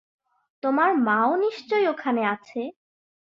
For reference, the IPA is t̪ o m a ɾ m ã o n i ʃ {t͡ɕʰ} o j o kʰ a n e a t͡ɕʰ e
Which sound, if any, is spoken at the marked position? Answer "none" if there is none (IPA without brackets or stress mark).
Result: t͡ɕ